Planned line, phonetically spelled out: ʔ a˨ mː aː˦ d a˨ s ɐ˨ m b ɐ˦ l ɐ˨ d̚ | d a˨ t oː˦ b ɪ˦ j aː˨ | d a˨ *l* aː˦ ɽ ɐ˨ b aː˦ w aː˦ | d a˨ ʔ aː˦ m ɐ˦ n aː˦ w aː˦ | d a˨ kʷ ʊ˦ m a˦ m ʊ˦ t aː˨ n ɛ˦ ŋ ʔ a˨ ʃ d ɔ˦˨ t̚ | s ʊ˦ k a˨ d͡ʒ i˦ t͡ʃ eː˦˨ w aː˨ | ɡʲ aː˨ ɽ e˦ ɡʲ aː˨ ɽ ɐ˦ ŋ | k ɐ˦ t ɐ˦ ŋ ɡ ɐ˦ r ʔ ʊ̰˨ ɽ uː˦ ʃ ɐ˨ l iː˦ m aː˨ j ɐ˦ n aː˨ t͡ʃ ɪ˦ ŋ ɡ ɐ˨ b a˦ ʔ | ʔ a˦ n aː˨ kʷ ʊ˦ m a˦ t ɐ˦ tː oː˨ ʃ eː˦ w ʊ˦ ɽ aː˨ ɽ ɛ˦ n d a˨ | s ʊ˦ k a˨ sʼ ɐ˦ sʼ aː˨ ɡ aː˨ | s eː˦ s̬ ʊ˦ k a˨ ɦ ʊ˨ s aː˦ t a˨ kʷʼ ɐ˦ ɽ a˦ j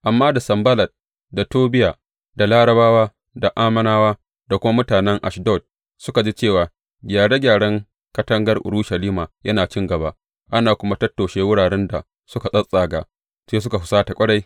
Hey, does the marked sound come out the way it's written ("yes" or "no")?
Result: yes